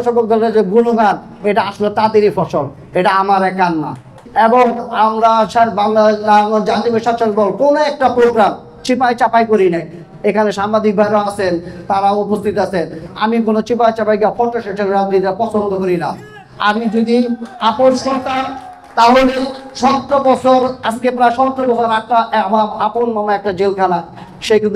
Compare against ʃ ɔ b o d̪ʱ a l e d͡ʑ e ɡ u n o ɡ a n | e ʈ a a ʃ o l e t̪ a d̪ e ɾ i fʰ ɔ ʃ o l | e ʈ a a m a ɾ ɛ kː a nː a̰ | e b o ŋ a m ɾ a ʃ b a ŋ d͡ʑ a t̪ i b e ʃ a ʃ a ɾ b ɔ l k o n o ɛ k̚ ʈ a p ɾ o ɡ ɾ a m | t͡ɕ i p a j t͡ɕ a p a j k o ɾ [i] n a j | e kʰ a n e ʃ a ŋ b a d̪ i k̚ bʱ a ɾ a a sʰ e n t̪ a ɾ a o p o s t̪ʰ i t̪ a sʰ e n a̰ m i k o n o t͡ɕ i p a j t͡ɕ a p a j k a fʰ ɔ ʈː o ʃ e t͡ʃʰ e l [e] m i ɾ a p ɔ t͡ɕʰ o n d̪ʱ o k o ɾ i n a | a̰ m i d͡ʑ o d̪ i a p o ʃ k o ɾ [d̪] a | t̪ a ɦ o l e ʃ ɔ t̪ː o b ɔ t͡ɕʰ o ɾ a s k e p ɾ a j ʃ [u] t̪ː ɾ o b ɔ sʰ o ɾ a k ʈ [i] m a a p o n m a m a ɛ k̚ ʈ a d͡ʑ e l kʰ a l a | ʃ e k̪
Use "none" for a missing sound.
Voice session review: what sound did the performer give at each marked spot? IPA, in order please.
i, a, t̪, ɔ, a

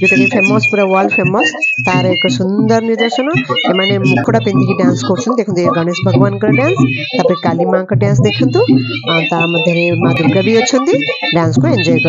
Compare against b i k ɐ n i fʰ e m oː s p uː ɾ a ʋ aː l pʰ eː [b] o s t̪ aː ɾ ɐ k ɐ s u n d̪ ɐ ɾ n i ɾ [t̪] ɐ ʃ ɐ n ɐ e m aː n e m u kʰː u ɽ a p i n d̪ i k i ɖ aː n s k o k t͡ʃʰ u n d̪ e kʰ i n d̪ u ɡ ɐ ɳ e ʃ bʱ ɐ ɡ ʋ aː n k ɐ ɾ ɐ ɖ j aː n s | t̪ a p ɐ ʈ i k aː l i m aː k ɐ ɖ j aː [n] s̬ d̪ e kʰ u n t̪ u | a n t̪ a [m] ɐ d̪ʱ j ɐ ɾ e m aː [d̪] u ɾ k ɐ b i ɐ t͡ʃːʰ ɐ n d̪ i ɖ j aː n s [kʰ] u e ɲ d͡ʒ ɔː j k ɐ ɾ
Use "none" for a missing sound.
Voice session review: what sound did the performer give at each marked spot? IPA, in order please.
m, d̪, n, m, d̪, k

